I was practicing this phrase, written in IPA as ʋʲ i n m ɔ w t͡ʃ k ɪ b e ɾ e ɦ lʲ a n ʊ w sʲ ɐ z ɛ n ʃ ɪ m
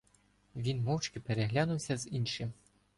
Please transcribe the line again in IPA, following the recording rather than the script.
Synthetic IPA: ʋʲ i n m ɔ w t͡ʃ k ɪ p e ɾ e ɦ lʲ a n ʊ w sʲ ɐ z i n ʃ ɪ m

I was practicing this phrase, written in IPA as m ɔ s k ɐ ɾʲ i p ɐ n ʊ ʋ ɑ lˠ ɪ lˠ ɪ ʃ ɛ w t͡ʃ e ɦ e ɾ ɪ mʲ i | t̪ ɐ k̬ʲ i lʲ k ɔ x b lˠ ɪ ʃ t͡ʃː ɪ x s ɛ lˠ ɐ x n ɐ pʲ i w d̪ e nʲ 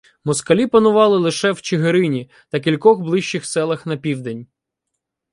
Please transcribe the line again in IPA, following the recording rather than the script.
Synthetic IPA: m ɔ s k ɐ lʲ i p ɐ n ʊ ʋ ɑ lˠ ɪ lˠ ɪ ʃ ɛ w t͡ʃ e ɦ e ɾ ɪ nʲ i | t̪ ɐ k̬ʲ i lʲ k ɔ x b lˠ ɪ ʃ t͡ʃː ɪ x s ɛ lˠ ɐ x n ɐ pʲ i w d̪ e nʲ

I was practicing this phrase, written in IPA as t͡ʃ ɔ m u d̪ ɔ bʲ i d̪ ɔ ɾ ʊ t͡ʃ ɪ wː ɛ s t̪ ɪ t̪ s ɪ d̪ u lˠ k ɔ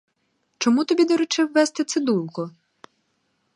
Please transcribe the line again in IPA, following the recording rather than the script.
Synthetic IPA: t͡ʃ ɔ m u t̪ ɔ bʲ i d̪ ɔ ɾ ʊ t͡ʃ ɪ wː ɛ s t̪ ɪ t̪ s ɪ d̪ u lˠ k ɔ

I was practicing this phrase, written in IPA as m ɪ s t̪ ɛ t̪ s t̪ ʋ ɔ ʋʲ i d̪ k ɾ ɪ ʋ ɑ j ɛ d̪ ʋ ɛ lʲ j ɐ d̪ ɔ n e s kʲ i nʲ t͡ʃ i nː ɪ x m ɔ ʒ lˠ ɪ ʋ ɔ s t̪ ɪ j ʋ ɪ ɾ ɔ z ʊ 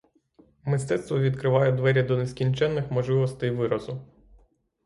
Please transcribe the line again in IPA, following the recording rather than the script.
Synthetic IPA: m ɪ s t̪ ɛ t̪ s t̪ ʋ ɔ ʋʲ i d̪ k ɾ ɪ ʋ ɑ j ɛ d̪ ʋ ɛ ɾʲ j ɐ d̪ ɔ n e s kʲ i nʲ t͡ʃ ɛ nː ɪ x m ɔ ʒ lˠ ɪ ʋ ɔ s t̪ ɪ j ʋ ɪ ɾ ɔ z ʊ

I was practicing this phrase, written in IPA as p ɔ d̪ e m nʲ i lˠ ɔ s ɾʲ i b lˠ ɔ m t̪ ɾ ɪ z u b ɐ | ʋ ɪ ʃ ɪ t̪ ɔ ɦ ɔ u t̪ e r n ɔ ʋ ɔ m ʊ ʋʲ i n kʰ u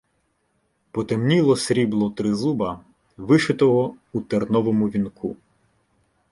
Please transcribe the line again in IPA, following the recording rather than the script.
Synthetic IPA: p ɔ t̪ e m nʲ i lˠ ɔ s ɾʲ i b lˠ ɔ t̪ ɾ ɪ z u b ɐ | ʋ ɪ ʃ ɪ t̪ ɔ ɦ ɔ u t̪ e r n ɔ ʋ ɔ m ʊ ʋʲ i n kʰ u

